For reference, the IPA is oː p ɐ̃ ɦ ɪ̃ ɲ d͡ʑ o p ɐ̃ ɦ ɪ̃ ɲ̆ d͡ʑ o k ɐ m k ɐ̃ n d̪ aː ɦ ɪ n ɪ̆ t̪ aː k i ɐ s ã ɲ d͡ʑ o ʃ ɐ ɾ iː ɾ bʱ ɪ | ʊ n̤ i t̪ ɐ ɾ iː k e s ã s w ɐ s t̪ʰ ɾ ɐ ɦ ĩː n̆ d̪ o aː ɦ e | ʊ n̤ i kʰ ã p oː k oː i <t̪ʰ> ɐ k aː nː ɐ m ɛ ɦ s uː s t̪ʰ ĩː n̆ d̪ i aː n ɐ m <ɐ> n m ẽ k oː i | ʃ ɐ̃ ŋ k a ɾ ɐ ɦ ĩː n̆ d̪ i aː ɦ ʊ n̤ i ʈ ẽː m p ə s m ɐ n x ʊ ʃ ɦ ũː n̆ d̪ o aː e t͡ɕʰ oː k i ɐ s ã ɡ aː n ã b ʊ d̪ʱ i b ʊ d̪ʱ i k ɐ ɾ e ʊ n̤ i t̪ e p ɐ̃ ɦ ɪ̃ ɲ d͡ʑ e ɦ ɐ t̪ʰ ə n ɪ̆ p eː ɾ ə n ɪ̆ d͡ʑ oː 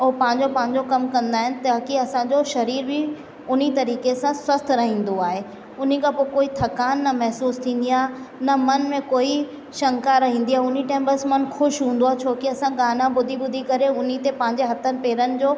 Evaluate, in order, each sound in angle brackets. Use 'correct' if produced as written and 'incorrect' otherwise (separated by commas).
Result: correct, correct